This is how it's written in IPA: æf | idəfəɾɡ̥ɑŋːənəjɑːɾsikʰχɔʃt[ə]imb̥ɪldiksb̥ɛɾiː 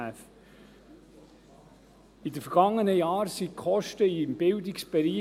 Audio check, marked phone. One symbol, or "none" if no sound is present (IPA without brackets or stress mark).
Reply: ə